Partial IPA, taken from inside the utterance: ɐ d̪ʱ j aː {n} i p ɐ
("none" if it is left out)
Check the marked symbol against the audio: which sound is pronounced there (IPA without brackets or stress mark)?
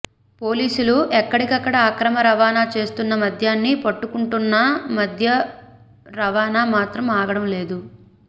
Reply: nː